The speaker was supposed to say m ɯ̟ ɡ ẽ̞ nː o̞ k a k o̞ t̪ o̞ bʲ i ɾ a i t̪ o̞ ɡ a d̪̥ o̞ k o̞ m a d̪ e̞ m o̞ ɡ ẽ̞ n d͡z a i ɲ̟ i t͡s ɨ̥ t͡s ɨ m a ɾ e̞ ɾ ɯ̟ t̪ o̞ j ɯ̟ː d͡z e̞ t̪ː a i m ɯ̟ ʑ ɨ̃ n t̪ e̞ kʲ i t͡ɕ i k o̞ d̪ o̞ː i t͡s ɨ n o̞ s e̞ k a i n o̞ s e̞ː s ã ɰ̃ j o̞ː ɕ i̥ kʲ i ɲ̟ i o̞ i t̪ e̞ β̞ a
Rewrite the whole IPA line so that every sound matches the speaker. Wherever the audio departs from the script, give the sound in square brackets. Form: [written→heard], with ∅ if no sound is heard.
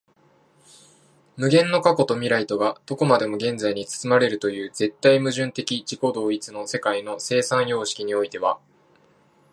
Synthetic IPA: m ɯ̟ ɡ ẽ̞ nː o̞ k a k o̞ t̪ o̞ [bʲ→mʲ] i ɾ a i t̪ o̞ ɡ a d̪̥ o̞ k o̞ m a d̪ e̞ m o̞ ɡ ẽ̞ n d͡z a i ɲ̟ i t͡s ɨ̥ t͡s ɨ m a ɾ e̞ ɾ ɯ̟ t̪ o̞ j ɯ̟ː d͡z e̞ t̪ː a i m ɯ̟ ʑ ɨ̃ n t̪ e̞ kʲ i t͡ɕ i k o̞ d̪ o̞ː i t͡s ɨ n o̞ s e̞ k a i n o̞ s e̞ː s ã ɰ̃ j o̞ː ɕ i̥ kʲ i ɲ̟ i o̞ i t̪ e̞ β̞ a